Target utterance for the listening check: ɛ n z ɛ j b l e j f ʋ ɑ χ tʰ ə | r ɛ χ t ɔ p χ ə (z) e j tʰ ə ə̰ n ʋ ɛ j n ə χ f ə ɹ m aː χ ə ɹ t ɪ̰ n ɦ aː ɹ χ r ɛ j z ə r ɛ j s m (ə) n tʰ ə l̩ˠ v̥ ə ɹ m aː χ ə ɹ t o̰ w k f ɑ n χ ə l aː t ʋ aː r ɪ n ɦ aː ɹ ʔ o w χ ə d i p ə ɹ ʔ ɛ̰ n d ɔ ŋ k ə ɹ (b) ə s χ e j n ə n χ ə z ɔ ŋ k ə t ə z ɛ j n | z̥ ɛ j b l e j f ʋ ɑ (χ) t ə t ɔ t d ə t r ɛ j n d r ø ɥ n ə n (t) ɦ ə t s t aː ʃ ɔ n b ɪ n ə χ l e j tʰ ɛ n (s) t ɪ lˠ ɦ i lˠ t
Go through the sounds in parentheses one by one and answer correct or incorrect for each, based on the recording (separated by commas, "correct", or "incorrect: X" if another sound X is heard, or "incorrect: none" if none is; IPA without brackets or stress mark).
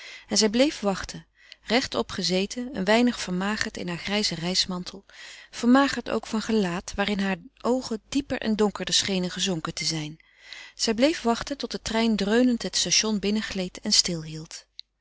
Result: correct, incorrect: ɑ, incorrect: d, correct, correct, correct